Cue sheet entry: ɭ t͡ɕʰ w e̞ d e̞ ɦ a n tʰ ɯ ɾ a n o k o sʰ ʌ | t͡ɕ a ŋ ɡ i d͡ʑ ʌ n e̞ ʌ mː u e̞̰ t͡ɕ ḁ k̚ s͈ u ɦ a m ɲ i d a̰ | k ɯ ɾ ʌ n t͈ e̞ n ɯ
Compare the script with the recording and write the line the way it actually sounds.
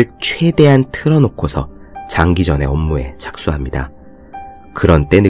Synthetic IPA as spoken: ɭ t͡ɕʰ w e̞ d e̞ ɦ a n tʰ ɯ ɾ ʌ n o kʰ o sʰ ʌ | t͡ɕ a ŋ ɡ i d͡ʑ ʌ n e̞ ʌ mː u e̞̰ t͡ɕ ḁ k̚ s͈ u ɦ a m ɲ i d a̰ | k ɯ ɾ ʌ n t͈ e̞ n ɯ